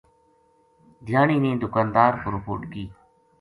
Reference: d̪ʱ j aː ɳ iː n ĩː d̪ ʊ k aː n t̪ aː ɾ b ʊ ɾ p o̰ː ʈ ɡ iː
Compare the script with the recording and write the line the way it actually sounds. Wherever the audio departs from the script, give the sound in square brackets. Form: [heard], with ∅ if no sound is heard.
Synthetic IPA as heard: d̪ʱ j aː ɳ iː n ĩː d̪ ʊ k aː n [d̪] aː ɾ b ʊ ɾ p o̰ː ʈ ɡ iː